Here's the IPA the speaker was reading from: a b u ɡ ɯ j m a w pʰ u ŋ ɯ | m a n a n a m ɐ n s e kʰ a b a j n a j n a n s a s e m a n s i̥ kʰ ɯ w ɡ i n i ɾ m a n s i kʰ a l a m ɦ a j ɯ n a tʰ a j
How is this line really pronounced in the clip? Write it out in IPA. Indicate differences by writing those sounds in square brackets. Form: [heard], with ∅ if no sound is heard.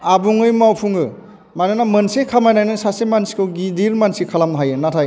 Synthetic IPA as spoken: a b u [ŋ] ɯ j m a w pʰ u ŋ ɯ | m a n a n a m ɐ n s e kʰ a [m] a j n a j n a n s a s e m a n s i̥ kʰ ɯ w ɡ i [d] i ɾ m a n s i kʰ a l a m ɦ a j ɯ n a tʰ a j